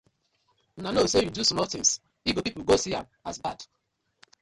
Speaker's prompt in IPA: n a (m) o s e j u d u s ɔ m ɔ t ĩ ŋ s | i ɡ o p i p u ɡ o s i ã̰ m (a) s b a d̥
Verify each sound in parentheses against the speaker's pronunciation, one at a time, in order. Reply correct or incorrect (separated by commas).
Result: incorrect, correct